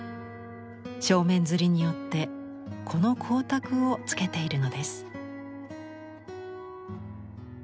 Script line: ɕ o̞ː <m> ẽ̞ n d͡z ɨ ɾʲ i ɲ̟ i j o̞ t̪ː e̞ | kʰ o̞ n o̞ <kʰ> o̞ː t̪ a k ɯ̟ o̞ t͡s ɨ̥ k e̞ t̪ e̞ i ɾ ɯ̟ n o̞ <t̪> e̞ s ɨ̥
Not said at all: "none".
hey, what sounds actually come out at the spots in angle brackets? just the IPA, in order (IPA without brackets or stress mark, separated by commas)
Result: m, kʰ, d̪